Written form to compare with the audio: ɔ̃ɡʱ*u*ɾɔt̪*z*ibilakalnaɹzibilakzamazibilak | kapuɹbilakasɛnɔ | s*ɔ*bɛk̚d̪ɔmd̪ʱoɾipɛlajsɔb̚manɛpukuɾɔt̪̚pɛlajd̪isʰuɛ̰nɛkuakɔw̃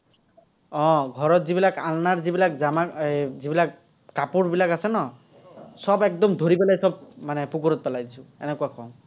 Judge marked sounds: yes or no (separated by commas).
no, yes, yes